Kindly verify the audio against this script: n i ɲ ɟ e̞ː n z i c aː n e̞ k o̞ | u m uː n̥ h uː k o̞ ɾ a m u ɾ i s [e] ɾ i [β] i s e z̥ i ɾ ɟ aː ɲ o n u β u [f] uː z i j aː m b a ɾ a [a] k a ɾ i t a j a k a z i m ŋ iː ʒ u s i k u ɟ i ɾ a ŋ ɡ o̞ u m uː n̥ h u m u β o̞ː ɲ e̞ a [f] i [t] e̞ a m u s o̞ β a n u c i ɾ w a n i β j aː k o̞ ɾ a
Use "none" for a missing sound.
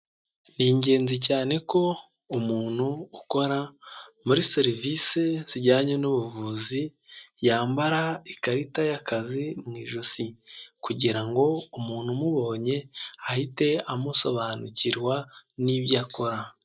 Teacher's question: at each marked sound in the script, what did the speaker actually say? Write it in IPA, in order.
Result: e, v, v, i, h, t

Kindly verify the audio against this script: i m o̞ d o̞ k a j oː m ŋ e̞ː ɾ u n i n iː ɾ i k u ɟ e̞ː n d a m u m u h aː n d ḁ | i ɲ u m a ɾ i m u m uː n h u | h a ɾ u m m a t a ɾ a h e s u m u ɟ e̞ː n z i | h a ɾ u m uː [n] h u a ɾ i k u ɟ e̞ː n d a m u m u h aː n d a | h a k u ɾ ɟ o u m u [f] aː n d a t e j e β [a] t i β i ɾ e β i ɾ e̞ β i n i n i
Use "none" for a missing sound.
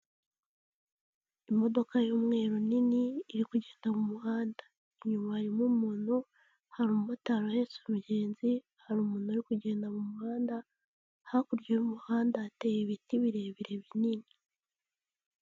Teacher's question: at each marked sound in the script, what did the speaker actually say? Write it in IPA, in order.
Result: n, h, i

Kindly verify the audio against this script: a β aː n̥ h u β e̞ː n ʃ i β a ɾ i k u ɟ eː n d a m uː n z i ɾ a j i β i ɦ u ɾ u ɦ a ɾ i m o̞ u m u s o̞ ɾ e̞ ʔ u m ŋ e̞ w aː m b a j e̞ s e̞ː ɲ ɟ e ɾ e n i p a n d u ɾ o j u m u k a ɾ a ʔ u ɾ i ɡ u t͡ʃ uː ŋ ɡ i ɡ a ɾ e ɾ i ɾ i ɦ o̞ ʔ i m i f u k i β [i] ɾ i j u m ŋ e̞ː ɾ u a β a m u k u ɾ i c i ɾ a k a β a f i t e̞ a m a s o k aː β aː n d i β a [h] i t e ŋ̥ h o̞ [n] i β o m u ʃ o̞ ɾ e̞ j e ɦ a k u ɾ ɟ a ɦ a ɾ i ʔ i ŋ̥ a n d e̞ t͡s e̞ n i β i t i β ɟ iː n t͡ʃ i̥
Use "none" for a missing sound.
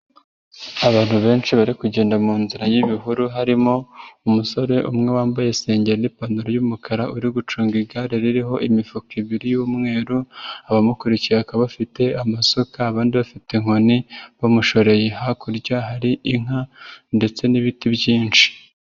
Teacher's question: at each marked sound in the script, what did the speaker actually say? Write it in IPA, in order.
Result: i, f, n

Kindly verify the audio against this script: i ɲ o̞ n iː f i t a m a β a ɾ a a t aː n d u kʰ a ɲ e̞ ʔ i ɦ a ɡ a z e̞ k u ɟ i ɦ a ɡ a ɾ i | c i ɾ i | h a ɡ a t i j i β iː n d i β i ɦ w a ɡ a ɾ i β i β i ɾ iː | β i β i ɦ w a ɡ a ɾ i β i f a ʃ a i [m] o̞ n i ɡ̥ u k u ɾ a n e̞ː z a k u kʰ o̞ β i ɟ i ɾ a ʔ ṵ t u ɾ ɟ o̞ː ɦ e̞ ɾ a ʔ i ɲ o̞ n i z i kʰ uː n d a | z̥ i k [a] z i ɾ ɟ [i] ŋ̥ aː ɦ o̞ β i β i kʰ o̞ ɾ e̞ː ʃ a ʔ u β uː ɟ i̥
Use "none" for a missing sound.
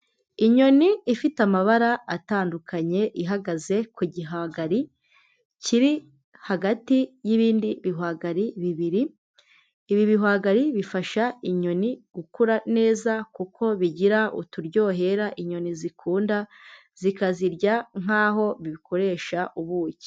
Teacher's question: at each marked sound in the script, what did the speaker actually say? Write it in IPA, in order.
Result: ɲ, a, a

